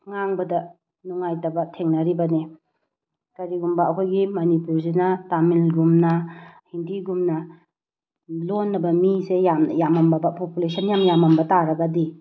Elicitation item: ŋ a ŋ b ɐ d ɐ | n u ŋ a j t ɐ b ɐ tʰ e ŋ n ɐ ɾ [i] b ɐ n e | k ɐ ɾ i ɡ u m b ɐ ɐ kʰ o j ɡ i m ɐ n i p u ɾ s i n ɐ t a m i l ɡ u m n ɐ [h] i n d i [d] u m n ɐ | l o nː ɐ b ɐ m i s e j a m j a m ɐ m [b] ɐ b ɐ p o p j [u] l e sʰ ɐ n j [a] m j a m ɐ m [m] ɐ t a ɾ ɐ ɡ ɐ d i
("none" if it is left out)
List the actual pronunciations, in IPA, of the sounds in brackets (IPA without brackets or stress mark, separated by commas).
i, h, ɡ, b, u, a, b